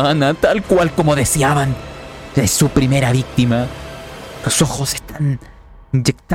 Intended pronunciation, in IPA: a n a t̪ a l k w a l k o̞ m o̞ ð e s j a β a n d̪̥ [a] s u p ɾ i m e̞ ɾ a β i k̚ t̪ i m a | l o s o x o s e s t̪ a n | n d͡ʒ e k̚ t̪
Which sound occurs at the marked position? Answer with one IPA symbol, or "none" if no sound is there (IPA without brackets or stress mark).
e